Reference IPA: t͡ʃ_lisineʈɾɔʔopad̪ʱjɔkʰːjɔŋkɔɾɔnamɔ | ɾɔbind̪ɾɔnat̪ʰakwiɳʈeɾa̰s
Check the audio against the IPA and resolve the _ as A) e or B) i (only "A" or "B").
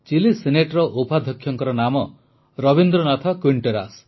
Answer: B